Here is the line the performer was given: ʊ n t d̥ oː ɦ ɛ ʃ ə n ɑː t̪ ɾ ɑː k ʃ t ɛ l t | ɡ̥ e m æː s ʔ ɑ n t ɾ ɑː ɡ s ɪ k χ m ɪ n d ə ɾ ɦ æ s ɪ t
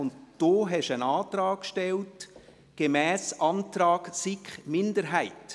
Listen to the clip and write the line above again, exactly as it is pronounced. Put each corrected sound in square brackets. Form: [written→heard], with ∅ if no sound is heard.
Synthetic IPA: ʊ n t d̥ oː ɦ ɛ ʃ ə n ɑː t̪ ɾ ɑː k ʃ t ɛ l t | ɡ̥ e m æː s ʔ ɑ n t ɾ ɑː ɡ s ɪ k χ m ɪ n d ə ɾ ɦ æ [s→∅] ɪ t